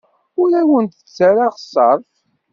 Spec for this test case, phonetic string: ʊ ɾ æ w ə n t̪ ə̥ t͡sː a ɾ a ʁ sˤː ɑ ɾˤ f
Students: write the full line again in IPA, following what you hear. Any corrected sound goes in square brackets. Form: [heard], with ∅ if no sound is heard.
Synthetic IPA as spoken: ʊ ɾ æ w ə n t̪ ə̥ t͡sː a ɾ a ʁ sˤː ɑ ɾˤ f